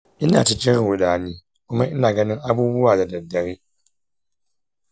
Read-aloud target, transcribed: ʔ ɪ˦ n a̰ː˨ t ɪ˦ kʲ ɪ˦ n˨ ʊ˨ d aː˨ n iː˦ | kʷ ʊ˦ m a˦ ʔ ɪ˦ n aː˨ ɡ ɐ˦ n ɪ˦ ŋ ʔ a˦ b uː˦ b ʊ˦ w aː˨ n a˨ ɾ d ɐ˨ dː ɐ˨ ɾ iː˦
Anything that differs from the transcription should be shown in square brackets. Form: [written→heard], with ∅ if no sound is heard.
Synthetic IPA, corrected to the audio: ʔ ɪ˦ n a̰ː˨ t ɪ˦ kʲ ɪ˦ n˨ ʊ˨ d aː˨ n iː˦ | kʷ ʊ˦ m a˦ ʔ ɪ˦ n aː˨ ɡ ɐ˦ n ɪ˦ ŋ ʔ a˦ b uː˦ b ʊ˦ w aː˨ [n→d] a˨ [ɾ→∅] d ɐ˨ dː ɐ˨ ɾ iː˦